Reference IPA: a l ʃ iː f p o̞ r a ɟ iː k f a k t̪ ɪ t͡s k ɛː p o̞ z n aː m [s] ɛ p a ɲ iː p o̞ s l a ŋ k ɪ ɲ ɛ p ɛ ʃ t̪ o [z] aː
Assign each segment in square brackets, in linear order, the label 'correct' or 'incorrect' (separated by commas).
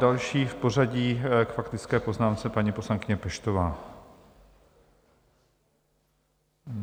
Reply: incorrect, incorrect